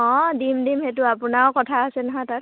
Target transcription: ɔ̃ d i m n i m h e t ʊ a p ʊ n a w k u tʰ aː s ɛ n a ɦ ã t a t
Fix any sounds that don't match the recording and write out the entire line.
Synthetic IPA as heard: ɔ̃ d i m d i m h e t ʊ a p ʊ n a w k ɔ tʰ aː s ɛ n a ɦ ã t a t